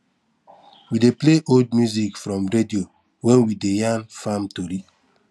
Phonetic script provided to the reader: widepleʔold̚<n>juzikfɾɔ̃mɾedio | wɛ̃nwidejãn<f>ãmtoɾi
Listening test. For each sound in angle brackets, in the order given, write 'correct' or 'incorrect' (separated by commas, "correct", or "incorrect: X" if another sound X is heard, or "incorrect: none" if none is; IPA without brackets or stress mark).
incorrect: m, correct